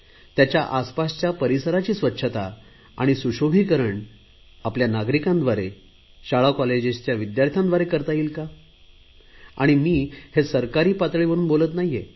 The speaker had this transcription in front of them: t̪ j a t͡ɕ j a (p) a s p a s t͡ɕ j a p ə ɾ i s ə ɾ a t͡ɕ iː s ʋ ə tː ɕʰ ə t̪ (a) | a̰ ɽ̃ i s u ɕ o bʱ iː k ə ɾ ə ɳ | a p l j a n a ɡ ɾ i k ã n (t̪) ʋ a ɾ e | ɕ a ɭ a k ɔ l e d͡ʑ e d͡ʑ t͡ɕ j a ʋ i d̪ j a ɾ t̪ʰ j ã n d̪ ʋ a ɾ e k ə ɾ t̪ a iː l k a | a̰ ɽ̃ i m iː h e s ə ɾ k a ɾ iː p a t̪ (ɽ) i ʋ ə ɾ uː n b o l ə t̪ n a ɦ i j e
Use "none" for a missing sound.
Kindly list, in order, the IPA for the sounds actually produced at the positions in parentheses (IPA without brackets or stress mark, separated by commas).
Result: ʔ, a, d̪, ɭ